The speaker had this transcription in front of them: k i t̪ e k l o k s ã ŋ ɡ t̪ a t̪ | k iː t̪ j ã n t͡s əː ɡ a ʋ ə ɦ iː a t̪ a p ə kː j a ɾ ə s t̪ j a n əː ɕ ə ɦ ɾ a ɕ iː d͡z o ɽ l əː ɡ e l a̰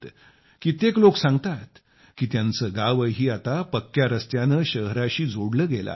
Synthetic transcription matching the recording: k i t̪ e k l o k s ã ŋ ɡ t̪ a t̪ | k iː t̪ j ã n t͡s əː ɡ a ʋ ə ɦ iː a t̪ a p ə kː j a ɾ ə s t̪ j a n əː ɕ ə ɦ ɾ a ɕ iː d͡z o ɽ l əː ɡ e l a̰